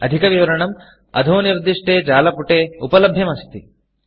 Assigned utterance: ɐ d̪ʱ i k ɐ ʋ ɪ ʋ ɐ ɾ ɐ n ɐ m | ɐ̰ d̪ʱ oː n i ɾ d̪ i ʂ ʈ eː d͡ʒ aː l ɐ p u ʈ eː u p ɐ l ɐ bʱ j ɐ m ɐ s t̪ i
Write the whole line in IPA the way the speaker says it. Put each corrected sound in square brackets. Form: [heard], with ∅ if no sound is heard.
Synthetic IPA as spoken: ɐ d̪ʱ i k ɐ ʋ [i] ʋ ɐ ɾ ɐ [ɳ] ɐ m | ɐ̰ d̪ʱ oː n i ɾ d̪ i ʂ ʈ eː d͡ʒ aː l ɐ p u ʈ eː u p ɐ l ɐ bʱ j ɐ m ɐ s t̪ i